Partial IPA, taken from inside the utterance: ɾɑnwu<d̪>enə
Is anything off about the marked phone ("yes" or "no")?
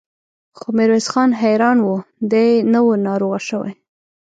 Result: no